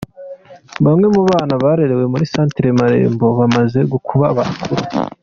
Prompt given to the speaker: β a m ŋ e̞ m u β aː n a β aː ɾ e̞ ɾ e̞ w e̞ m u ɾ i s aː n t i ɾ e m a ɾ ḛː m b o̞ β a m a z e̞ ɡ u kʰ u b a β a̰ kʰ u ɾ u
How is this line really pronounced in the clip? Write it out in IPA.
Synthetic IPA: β a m ŋ e̞ m u β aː n a β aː ɾ e̞ ɾ e̞ w e̞ m u ɾ i s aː n t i ɾ e m a ɾ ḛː m b o̞ β a m a z e̞ ɡ u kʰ u β a β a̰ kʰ u ɾ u